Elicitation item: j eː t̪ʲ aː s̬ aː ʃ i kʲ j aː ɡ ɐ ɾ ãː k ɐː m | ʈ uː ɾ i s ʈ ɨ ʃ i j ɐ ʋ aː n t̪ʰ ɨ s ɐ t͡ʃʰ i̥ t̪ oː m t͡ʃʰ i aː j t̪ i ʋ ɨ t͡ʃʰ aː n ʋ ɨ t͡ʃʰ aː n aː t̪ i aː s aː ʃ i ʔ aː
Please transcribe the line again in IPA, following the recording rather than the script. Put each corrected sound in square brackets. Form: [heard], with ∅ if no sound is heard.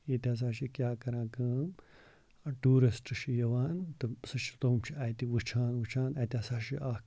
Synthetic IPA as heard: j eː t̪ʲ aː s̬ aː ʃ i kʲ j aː [k] ɐ ɾ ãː k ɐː m | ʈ uː ɾ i s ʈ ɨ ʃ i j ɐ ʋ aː n [t̪] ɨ s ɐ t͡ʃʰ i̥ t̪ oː m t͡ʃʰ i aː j t̪ i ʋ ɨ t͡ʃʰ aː n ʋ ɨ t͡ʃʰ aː n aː t̪ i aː s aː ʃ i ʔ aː